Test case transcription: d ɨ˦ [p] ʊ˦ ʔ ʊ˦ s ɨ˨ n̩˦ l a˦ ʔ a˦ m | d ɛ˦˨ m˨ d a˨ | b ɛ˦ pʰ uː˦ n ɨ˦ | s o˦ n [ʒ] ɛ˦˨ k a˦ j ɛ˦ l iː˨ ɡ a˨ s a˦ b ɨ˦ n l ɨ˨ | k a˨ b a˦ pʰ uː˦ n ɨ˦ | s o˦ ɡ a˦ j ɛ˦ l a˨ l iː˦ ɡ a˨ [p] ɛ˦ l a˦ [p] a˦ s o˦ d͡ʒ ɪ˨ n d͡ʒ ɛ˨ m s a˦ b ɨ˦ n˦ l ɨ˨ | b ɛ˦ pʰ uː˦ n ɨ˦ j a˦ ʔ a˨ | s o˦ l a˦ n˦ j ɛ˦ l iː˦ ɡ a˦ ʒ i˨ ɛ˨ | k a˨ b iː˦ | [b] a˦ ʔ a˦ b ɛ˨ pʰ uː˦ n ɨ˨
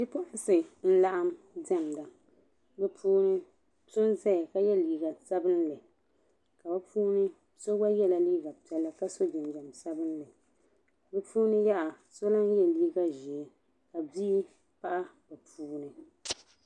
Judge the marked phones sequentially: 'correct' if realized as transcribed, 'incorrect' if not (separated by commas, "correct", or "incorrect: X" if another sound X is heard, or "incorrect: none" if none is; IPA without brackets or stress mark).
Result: correct, incorrect: z, correct, incorrect: k, incorrect: p